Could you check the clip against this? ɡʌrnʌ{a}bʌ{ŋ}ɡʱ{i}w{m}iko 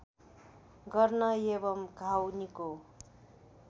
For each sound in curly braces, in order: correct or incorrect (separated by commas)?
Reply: incorrect, incorrect, incorrect, incorrect